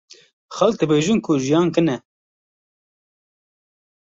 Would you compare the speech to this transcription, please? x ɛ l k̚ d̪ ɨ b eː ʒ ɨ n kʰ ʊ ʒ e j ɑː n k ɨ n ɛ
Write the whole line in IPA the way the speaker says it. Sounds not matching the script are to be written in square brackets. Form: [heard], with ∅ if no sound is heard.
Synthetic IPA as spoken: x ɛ l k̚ d̪ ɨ b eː ʒ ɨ n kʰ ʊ ʒ [i] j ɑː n k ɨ n ɛ